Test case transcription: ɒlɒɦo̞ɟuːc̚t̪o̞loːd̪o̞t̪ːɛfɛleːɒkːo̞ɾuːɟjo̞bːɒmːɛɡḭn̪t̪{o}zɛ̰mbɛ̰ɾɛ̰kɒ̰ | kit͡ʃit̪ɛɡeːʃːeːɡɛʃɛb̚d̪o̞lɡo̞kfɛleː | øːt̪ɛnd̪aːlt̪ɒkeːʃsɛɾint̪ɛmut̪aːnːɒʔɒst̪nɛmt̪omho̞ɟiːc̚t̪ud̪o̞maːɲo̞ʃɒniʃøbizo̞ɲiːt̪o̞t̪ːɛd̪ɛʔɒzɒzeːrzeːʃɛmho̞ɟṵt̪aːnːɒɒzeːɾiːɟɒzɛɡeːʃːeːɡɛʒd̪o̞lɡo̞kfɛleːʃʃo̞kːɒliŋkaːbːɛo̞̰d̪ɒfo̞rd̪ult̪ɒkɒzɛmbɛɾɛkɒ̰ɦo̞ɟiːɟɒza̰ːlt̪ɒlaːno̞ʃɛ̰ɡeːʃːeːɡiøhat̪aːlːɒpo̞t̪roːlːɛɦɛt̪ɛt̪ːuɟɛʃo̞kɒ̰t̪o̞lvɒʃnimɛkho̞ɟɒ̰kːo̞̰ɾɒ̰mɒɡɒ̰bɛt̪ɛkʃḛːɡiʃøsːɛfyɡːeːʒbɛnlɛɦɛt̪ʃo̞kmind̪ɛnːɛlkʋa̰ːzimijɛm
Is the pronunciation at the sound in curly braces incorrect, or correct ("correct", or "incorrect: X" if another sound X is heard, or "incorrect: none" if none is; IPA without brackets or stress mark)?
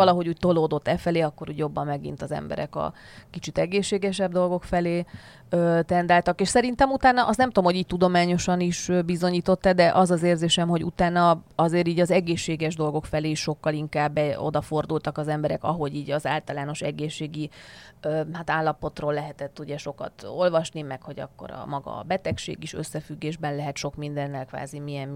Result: incorrect: ɒ